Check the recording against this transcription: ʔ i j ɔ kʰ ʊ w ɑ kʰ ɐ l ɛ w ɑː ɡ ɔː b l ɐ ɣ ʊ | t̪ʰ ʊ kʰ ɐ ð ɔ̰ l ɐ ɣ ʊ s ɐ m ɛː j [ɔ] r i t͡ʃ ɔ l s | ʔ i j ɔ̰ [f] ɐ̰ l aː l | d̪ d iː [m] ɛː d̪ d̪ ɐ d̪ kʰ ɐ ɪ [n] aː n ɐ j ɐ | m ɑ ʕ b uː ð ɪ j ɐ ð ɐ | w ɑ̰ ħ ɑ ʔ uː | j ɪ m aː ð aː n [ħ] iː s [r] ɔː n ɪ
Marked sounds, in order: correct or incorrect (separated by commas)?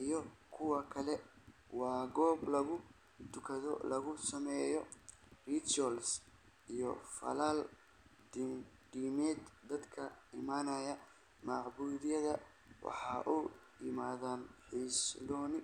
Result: correct, correct, correct, incorrect, correct, incorrect